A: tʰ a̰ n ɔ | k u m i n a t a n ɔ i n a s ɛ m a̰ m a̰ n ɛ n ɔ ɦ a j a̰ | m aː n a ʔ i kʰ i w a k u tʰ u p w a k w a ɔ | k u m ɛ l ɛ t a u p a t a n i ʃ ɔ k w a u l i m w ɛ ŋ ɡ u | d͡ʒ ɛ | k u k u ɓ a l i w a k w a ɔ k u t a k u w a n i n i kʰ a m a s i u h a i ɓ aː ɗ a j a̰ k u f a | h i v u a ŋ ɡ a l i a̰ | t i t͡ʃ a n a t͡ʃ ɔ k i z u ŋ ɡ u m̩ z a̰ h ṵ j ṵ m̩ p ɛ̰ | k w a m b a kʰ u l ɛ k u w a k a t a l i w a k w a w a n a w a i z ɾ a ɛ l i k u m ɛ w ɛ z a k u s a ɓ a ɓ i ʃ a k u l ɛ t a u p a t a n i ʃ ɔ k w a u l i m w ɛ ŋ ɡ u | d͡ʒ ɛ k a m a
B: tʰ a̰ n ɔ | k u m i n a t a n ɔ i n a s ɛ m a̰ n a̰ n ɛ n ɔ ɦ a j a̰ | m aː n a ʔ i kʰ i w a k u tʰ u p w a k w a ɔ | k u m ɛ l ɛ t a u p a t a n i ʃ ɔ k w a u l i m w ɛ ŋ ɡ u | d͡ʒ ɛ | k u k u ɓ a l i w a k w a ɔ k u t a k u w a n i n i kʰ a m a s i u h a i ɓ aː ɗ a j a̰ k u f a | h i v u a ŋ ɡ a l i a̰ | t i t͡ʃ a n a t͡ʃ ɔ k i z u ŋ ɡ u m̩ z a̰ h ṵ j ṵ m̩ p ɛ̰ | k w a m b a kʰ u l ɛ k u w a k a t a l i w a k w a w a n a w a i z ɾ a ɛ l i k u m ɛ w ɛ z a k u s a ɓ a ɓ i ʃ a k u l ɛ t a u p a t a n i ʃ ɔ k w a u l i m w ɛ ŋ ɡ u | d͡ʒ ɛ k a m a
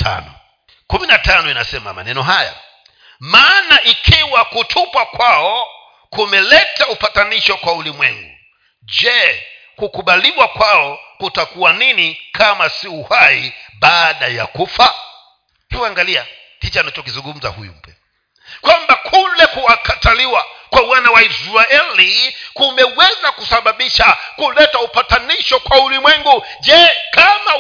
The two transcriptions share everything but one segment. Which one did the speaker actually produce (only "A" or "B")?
A